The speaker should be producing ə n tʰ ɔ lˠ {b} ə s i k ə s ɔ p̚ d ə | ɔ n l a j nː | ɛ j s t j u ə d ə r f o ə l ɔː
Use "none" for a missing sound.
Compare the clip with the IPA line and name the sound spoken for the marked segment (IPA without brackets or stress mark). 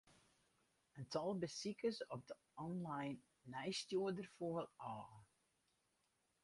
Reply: b